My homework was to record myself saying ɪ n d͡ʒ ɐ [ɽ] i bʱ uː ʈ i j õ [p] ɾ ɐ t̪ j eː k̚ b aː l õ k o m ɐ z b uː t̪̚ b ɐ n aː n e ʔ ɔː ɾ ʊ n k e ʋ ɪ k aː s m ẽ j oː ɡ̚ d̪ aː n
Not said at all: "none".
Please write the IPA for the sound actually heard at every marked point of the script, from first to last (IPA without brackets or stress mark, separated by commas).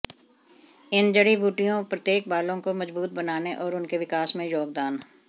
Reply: ɽ, p